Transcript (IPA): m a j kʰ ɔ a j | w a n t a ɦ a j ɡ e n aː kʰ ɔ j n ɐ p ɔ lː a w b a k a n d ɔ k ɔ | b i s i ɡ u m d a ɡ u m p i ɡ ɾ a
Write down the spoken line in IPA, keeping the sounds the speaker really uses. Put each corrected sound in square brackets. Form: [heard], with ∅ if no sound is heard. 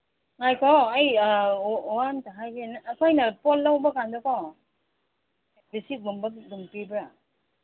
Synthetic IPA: [ŋ] a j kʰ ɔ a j | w a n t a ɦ a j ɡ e n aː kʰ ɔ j n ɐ p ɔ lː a w b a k a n d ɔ k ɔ | b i s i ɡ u m [b] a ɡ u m p i [b] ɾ a